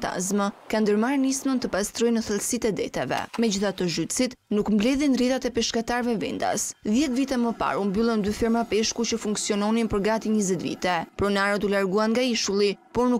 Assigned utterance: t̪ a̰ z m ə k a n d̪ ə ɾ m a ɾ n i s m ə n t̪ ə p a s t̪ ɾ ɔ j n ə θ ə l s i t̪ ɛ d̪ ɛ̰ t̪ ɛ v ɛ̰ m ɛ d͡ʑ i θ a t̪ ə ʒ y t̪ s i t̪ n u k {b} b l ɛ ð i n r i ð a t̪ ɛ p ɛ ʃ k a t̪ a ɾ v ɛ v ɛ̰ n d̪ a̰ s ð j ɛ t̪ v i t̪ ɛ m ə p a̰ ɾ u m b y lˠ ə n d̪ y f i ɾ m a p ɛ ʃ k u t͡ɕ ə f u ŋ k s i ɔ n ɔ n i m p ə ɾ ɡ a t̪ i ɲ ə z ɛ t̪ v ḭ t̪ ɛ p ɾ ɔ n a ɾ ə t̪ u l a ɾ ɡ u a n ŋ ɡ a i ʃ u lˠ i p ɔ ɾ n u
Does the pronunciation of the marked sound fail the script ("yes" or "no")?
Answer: yes